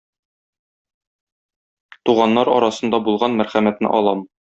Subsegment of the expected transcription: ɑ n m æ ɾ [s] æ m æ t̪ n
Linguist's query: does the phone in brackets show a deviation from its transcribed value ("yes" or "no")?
yes